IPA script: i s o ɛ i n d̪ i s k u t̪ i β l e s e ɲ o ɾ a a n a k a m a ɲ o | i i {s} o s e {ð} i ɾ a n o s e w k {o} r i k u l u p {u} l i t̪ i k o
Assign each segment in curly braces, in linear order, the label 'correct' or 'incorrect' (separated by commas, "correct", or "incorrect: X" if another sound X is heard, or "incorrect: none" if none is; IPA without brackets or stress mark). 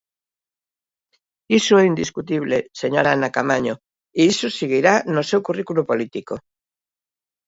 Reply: correct, incorrect: ɣ, incorrect: u, incorrect: o